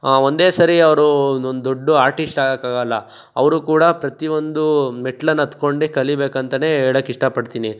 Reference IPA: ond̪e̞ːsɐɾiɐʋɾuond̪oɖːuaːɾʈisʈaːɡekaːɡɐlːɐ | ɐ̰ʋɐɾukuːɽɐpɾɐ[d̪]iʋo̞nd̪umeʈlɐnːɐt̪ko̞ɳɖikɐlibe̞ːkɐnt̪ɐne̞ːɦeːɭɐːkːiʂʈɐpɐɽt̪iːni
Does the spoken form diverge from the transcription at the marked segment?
yes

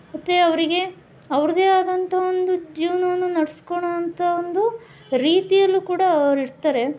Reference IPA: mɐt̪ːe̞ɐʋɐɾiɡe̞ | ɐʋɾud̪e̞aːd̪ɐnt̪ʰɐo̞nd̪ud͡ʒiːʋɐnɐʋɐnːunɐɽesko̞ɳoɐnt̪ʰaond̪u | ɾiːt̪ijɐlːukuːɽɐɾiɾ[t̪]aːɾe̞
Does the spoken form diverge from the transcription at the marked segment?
no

